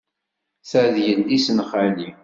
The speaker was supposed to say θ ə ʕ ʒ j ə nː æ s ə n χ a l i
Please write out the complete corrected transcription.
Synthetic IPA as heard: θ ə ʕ ð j ə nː i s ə n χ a l i